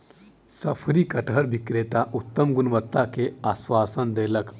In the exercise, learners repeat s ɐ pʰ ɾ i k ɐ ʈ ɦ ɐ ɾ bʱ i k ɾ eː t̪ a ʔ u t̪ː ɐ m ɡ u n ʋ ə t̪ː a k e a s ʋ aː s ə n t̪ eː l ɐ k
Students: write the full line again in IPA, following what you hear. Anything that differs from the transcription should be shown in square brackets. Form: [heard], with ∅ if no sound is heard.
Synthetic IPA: s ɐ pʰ ɾ i k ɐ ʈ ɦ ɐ ɾ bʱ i k ɾ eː t̪ a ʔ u t̪ː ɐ m ɡ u n ʋ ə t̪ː a k e a s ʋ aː s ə n [d̪] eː l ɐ k